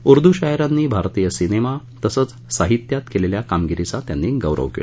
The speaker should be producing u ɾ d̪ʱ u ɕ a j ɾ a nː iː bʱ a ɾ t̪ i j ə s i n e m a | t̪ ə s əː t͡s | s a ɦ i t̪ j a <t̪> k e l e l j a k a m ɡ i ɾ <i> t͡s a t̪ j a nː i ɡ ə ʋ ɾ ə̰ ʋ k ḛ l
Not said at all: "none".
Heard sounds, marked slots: t̪, i

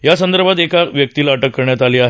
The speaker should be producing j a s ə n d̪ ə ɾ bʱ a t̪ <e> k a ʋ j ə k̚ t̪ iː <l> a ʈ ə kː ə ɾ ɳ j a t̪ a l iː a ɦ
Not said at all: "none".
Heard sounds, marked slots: e, l

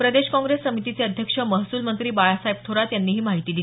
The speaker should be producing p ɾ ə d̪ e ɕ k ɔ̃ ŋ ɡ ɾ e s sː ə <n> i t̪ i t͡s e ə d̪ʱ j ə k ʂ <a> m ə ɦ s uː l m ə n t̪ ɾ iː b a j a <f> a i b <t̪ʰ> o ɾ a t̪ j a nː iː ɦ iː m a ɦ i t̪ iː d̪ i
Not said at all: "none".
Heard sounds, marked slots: m, ə, s, t̪ʰ

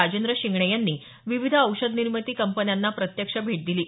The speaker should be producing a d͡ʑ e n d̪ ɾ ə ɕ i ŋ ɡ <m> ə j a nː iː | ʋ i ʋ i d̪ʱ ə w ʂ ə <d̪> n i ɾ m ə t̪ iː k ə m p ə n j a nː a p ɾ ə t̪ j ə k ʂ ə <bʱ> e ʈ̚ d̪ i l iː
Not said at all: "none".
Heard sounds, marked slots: ɳ, d̪, bʱ

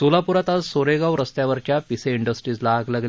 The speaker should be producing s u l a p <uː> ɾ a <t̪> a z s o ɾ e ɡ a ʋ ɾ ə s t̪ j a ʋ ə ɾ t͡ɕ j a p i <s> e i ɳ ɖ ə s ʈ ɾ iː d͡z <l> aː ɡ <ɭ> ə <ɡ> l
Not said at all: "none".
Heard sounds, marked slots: u, t̪, s, l, l, ɡ

